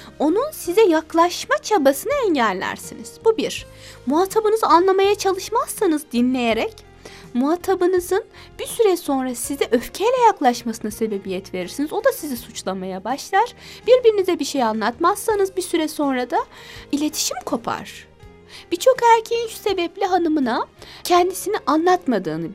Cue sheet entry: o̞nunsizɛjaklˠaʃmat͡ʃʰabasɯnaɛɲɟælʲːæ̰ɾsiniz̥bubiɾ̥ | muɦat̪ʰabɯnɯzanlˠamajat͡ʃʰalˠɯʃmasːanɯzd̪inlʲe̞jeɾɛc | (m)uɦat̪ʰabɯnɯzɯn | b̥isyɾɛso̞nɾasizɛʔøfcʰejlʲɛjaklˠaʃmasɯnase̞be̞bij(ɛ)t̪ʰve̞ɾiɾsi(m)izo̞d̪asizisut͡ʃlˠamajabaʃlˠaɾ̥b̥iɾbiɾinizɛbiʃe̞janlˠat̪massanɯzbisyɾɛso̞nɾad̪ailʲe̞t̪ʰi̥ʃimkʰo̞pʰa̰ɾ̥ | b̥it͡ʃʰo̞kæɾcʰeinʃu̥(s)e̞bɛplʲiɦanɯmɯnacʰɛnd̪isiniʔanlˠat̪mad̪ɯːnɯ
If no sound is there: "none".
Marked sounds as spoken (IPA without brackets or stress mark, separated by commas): m, ɛ, n, s